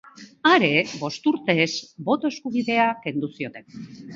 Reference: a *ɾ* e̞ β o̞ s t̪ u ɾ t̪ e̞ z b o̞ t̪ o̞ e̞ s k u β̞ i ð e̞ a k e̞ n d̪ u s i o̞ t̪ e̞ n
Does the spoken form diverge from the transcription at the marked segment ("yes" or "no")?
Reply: no